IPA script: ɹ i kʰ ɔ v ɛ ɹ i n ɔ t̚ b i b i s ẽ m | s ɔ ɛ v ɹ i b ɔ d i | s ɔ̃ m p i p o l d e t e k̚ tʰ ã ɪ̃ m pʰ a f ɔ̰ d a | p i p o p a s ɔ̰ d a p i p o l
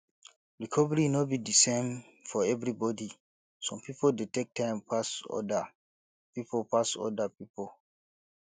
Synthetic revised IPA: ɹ i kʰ ɔ v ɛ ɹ i n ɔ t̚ b i d i s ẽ m | f ɔ ɛ v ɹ i b ɔ d i | s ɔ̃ m p i p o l d e t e k̚ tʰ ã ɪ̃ m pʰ a s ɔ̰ d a | p i p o p a s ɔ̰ d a p i p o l